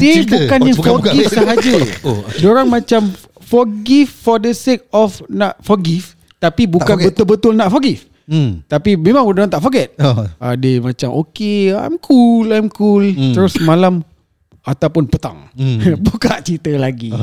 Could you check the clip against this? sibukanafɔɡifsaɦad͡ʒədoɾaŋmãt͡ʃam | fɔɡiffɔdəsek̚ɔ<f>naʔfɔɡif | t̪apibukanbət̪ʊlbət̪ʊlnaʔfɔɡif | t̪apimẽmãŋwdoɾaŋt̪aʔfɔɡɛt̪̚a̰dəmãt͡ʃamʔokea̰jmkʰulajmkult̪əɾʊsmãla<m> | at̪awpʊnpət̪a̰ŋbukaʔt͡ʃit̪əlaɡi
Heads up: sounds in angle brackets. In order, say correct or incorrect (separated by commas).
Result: correct, correct